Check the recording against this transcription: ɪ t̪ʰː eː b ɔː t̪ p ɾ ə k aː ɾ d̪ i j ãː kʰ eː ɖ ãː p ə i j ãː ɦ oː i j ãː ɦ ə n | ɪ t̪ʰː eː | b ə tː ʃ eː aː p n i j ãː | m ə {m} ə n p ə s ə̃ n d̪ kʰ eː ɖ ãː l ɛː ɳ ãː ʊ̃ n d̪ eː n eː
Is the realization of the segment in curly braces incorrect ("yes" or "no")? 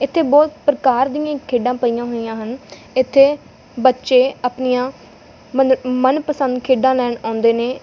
no